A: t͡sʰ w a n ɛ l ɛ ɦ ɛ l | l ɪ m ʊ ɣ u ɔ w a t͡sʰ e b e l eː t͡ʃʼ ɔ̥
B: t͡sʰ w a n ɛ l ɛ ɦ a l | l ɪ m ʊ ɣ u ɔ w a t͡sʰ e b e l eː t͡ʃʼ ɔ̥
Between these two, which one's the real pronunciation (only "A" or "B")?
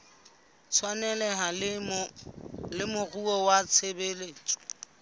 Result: B